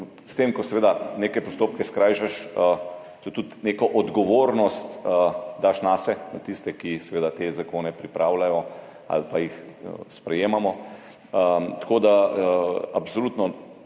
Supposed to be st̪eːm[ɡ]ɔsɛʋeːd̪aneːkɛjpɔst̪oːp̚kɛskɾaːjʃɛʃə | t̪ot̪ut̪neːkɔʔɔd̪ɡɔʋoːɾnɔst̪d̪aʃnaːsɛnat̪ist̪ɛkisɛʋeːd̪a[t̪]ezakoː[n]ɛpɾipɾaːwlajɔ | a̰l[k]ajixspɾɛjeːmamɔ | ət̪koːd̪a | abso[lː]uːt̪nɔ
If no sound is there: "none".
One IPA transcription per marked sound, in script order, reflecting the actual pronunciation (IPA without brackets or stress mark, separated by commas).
k, t̪, n, p, l